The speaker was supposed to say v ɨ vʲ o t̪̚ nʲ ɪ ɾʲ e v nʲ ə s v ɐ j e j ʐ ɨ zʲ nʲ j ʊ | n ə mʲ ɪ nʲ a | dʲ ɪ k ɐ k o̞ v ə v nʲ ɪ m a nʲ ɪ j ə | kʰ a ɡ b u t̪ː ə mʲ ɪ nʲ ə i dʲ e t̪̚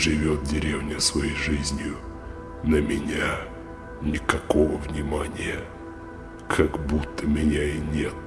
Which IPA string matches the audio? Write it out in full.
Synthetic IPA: ʐ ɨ vʲ o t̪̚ dʲ ɪ ɾʲ e v nʲ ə s v ɐ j e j ʐ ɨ zʲ nʲ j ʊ | n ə mʲ ɪ nʲ a | nʲ ɪ k ɐ k o̞ v ə v nʲ ɪ m a nʲ ɪ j ə | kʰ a ɡ b u t̪ː ə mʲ ɪ nʲ a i nʲ e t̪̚